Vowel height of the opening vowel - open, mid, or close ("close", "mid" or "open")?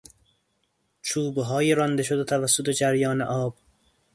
close